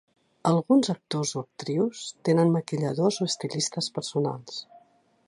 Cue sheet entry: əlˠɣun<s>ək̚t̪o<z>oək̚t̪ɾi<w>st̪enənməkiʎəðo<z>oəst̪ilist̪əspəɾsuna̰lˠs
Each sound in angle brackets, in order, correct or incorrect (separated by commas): incorrect, correct, correct, correct